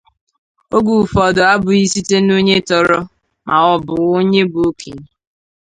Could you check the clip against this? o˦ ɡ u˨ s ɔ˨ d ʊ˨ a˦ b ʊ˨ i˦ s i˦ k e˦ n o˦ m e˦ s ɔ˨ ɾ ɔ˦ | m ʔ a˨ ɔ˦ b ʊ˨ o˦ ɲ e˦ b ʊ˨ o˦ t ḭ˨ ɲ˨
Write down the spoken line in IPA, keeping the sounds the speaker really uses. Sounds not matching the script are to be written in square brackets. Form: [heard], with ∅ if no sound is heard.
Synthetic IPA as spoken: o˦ ɡ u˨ [f] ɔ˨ d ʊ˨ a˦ b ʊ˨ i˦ s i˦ [t] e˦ n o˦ [ɲ] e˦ [t] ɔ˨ ɾ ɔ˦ | m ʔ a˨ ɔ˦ b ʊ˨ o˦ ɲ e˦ b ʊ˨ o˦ [k] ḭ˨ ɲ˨